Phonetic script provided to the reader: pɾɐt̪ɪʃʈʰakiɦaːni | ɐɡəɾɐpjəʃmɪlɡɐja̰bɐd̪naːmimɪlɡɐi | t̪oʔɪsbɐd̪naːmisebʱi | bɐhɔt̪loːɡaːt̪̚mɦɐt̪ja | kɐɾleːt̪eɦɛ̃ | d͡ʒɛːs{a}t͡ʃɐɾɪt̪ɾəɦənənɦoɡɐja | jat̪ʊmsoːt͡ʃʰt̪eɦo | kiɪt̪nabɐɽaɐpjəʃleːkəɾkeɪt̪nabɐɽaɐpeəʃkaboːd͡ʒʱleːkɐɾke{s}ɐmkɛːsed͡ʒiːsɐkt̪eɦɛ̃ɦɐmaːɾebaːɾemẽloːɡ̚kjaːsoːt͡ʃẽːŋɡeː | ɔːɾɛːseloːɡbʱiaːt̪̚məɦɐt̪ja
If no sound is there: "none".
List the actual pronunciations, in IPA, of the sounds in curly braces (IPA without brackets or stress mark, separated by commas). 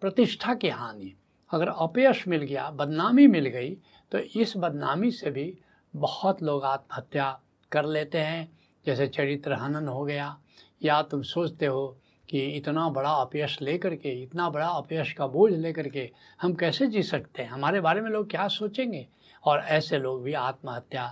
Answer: e, h